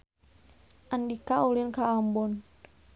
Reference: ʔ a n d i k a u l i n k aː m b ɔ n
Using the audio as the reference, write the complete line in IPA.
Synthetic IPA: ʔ a n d i k a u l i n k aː m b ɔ n